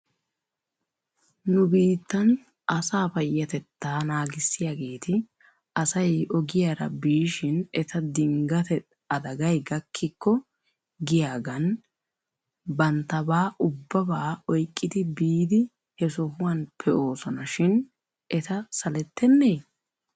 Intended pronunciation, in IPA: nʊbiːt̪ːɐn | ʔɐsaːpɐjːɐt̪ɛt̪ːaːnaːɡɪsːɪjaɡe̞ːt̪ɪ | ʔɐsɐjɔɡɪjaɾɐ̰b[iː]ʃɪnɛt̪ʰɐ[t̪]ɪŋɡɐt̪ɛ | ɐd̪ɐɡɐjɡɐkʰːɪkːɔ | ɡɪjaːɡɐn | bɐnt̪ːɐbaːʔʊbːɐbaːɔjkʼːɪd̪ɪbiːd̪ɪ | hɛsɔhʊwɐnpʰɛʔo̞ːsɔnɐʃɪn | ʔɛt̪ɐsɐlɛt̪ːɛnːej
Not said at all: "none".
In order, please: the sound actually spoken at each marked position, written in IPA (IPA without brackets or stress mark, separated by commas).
iː, d̪